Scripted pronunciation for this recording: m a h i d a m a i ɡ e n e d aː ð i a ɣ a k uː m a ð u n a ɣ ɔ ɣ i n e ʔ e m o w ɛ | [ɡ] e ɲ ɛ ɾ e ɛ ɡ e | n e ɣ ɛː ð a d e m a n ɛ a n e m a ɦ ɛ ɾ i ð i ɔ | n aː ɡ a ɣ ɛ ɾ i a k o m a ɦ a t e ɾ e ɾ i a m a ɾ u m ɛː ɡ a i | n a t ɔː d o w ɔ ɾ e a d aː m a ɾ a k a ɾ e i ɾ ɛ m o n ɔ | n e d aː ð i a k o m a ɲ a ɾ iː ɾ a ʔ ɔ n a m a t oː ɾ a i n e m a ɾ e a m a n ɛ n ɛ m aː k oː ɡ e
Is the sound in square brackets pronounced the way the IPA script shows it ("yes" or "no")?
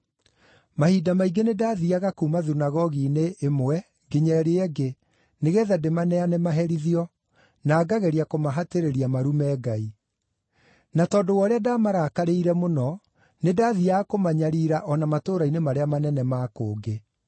yes